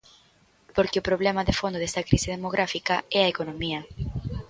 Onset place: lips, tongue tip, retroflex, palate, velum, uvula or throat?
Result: lips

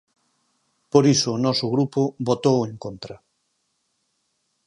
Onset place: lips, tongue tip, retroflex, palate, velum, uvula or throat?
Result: lips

